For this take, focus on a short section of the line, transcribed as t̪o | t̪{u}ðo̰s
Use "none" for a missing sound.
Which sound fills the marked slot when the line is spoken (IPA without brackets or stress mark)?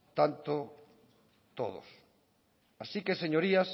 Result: o